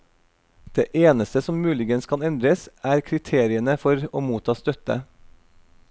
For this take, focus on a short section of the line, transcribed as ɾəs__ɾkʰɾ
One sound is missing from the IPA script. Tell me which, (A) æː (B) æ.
A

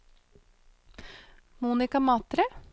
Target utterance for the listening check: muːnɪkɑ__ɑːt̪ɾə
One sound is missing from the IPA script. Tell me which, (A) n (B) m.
B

